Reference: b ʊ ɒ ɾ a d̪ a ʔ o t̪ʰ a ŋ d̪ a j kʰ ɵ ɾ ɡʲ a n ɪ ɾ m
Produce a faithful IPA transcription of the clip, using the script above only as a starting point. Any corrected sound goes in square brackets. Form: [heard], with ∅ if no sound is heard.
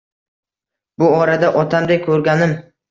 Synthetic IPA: b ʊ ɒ ɾ a d̪ a ʔ [ɒ] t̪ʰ a [m] d̪ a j kʰ ɵ ɾ ɡʲ a n ɪ [∅] m